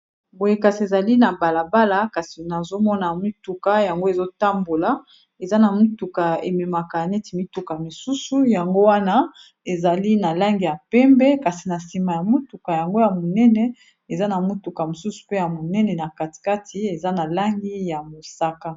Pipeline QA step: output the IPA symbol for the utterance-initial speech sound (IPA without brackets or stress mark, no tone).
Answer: b